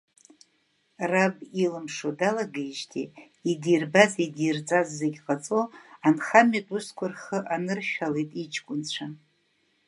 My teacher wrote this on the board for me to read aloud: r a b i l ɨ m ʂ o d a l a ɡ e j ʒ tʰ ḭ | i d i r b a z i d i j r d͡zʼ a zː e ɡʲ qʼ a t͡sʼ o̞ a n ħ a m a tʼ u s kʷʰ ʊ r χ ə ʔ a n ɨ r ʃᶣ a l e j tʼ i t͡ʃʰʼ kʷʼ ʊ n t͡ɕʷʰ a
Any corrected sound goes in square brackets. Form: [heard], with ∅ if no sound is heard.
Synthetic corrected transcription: r a b i l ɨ m ʂ o d a l a ɡ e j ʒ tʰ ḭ | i d i r b a z i d i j r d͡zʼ a zː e ɡʲ qʼ a t͡sʼ o̞ a n [χ] a m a tʼ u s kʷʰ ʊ r χ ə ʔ a n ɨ r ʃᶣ a l e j tʼ i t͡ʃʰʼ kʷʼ ʊ n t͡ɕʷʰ a